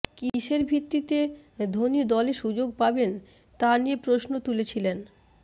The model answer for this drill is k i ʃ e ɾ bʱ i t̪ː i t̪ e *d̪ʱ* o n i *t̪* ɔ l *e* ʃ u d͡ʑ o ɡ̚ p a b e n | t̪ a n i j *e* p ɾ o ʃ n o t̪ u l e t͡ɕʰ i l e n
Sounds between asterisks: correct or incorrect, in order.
correct, incorrect: d̪, correct, correct

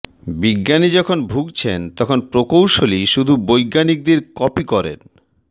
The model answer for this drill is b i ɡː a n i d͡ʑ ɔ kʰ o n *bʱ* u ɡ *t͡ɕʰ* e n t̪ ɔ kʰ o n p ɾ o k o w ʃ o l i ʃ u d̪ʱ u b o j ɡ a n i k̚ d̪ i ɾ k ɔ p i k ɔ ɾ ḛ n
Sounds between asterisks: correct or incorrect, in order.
correct, correct

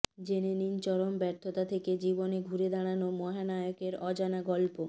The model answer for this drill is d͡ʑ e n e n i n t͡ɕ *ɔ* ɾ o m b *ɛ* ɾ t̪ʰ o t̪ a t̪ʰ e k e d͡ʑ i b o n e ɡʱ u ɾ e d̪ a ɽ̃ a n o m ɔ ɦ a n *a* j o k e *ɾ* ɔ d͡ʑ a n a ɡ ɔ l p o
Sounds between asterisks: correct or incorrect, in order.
correct, correct, correct, correct

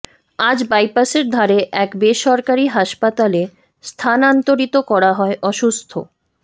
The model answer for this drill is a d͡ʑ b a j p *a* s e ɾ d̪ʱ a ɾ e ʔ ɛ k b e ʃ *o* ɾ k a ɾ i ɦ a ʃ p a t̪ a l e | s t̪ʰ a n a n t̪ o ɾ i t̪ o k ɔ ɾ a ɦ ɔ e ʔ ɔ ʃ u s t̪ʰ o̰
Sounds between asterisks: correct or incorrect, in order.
correct, incorrect: ɔ

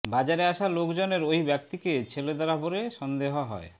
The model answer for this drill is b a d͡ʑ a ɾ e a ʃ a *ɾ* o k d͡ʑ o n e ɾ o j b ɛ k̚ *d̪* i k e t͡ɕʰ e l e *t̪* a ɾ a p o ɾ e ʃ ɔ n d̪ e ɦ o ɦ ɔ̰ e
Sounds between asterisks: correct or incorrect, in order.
incorrect: l, incorrect: t̪, incorrect: d̪

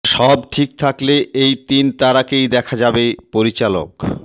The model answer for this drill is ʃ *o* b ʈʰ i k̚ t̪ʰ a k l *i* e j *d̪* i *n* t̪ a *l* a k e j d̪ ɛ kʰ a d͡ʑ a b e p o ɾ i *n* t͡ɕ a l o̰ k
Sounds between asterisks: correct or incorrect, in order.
incorrect: ɔ, incorrect: e, incorrect: t̪, correct, incorrect: ɾ, incorrect: none

